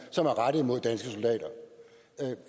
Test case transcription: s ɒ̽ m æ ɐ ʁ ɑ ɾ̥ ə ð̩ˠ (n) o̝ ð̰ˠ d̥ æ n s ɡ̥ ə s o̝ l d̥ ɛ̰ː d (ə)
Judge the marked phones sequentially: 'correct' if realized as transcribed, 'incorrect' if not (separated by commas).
incorrect, incorrect